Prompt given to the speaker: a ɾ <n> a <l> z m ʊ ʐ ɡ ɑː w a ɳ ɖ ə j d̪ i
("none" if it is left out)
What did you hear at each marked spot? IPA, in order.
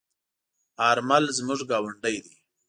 m, l

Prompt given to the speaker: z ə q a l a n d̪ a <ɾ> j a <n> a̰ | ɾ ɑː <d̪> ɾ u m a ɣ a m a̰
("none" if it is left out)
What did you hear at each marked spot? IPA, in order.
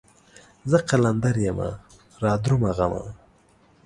ɾ, m, d̪

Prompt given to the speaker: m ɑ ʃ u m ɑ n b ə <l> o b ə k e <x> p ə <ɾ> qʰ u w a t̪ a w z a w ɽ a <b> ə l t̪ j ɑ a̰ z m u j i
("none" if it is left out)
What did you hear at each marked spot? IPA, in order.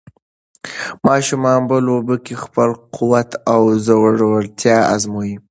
l, x, l, w

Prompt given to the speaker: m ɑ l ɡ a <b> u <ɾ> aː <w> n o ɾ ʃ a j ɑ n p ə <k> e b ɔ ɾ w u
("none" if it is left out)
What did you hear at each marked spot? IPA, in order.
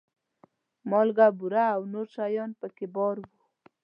b, ɾ, w, k

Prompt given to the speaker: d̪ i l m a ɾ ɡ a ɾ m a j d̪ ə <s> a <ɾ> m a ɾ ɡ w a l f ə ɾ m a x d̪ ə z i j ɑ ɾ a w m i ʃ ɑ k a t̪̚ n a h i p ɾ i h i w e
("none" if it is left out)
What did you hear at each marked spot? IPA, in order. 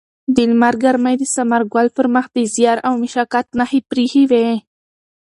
s, none

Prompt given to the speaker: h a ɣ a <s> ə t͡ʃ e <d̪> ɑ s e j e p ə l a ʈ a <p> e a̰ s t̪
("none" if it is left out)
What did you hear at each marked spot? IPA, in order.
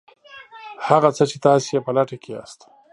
t͡s, t̪, k

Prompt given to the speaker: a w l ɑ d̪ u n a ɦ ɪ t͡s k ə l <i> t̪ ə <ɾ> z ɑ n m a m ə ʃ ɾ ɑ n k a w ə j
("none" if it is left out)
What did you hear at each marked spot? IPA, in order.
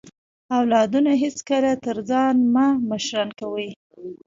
a, ɾ

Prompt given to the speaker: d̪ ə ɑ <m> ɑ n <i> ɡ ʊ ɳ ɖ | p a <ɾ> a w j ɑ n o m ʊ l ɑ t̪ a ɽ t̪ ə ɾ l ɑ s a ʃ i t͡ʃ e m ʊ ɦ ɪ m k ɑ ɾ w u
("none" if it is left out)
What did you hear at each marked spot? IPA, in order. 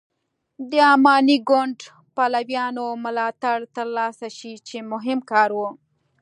m, i, l

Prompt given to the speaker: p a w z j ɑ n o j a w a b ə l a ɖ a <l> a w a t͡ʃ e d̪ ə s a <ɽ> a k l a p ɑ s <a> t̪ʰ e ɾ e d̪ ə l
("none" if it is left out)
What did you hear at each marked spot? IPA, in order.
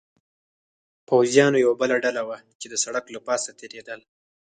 l, ɽ, a

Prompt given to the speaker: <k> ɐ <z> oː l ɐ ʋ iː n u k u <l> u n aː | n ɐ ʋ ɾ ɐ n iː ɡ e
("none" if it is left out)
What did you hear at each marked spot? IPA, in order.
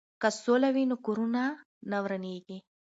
k, s, ɾ

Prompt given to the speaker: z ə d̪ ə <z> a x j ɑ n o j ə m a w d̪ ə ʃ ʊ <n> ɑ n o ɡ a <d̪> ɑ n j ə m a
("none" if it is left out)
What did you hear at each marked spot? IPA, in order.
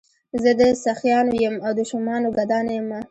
s, m, d̪

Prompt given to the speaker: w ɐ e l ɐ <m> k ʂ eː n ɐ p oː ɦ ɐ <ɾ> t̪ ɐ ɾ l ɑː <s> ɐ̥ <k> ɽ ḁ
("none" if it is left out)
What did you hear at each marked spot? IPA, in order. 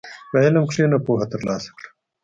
m, none, s, k

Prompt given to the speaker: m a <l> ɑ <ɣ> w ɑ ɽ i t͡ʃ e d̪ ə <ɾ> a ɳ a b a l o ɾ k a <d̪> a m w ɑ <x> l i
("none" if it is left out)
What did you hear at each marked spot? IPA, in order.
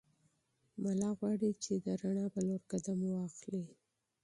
l, ɣ, ɾ, d̪, x

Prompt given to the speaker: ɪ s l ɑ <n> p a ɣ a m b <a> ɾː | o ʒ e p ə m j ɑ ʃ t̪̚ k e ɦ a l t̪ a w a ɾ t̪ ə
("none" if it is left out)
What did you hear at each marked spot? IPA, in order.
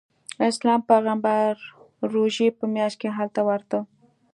m, a

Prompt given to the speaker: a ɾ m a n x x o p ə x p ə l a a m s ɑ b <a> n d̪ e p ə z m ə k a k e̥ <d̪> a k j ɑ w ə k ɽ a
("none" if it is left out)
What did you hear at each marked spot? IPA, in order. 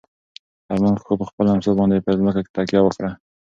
ɑ, t̪

